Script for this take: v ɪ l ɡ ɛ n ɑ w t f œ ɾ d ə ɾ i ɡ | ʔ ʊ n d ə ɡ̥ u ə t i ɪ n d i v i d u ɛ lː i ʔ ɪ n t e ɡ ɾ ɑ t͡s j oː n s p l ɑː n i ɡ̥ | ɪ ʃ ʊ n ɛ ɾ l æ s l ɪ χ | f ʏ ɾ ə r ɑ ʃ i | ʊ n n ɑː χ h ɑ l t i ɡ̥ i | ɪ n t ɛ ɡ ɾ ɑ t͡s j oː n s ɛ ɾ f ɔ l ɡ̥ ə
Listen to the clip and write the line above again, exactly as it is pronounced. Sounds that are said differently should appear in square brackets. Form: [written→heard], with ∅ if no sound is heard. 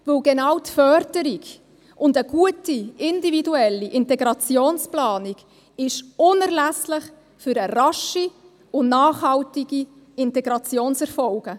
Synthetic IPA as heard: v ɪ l ɡ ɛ n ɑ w t f œ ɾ d ə ɾ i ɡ | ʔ ʊ n d ə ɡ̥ u ə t i ɪ n d i v i d u ɛ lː i ʔ ɪ n t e ɡ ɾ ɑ t͡s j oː n s p l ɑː n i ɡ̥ | ɪ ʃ ʊ n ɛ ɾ l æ s l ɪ χ | f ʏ ɾ ə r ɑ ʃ i | ʊ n n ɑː χ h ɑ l t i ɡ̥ i | ɪ n t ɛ ɡ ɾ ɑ t͡s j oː n s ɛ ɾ f ɔ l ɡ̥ ə